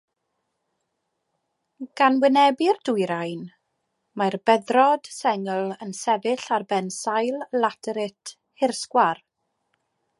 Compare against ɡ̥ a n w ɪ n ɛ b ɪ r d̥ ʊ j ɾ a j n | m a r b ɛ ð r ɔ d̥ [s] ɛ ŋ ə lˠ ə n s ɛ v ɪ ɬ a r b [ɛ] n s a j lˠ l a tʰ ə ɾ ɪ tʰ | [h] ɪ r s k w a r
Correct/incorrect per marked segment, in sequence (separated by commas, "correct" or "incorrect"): correct, correct, correct